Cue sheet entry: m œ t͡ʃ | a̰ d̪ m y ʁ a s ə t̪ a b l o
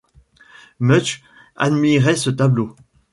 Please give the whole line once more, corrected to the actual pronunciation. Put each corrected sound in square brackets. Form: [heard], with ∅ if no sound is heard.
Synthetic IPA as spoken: m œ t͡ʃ | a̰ d̪ m [i] ʁ [ɛ] s ə t̪ a b l o